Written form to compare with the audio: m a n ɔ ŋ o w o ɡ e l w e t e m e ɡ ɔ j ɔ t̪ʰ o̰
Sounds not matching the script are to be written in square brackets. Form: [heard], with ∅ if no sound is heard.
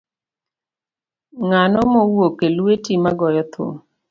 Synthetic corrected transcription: [ŋ] a n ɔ [m] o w o [k] e l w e t [i] m [a] ɡ ɔ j ɔ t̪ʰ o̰